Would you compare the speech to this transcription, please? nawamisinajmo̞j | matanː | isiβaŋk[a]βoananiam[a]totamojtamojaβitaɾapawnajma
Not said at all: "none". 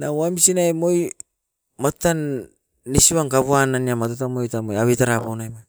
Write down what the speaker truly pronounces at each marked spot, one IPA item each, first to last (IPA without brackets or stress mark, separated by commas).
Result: a, a